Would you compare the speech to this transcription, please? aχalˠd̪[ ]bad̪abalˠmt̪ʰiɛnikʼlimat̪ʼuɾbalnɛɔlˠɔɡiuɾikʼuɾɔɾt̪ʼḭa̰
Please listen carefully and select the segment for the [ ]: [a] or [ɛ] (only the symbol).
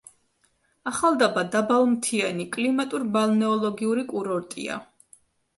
a